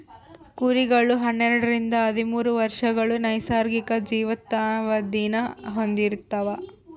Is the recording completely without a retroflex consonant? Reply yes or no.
no